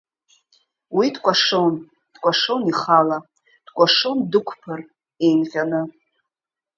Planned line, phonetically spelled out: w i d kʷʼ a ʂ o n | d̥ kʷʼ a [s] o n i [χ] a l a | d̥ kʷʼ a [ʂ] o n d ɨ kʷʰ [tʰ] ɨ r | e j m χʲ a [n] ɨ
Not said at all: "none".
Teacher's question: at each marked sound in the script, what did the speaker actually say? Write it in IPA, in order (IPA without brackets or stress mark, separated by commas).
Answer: ʂ, χ, ʂ, pʰ, n